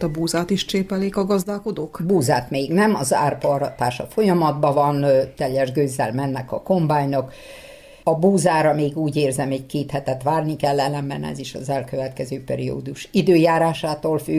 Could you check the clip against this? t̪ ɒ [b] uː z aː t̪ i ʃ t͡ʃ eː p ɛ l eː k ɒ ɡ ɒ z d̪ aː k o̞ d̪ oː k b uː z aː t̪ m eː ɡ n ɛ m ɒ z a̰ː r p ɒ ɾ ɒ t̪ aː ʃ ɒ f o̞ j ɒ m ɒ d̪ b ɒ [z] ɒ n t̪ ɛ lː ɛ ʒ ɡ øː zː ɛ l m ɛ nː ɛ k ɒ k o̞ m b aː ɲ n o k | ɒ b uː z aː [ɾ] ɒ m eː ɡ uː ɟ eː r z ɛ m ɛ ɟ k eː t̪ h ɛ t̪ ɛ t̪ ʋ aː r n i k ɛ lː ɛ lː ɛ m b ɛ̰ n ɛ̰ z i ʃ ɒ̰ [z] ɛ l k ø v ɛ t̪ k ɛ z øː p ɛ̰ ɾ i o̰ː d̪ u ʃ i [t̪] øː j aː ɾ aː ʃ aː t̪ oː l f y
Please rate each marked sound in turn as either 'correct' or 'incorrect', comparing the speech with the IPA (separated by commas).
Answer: correct, incorrect, correct, correct, incorrect